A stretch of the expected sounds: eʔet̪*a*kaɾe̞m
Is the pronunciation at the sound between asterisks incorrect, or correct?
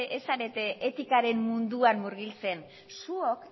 incorrect: i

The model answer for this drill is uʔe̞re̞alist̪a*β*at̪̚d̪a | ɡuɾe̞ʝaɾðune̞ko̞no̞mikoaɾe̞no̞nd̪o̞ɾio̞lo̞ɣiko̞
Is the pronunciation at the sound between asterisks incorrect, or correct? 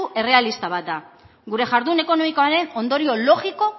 correct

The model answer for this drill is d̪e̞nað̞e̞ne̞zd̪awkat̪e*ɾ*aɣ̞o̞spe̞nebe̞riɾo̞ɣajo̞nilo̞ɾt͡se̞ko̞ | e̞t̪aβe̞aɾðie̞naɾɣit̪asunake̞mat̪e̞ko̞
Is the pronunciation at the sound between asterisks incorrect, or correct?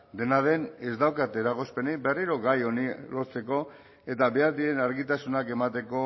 correct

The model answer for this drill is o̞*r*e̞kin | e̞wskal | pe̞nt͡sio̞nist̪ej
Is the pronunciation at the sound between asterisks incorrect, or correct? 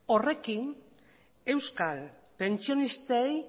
correct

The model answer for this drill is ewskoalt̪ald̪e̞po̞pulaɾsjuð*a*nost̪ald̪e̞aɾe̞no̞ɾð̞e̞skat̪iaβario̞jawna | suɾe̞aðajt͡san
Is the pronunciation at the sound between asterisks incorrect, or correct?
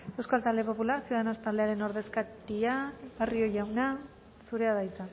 correct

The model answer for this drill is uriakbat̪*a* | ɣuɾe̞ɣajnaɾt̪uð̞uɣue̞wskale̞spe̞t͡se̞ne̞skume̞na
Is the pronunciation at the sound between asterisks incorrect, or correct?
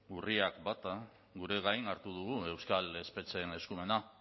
correct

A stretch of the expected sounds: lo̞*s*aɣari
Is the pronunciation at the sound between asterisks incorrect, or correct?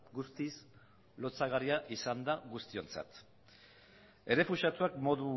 incorrect: t͡s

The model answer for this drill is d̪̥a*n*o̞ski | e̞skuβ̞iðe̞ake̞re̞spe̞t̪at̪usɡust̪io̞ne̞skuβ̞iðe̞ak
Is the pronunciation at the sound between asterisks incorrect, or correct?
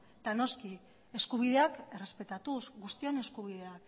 correct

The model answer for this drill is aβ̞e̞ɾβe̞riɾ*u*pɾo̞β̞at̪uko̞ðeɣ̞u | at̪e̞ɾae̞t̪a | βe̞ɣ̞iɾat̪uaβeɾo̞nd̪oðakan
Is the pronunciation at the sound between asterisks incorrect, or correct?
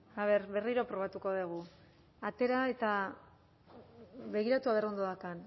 incorrect: o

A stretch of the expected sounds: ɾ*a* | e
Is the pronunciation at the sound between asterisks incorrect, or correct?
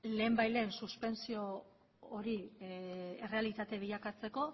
incorrect: i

